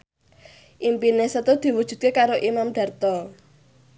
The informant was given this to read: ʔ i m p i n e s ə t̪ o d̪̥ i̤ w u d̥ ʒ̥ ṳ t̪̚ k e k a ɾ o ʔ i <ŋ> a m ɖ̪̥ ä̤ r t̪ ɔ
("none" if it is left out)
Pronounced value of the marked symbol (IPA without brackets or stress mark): m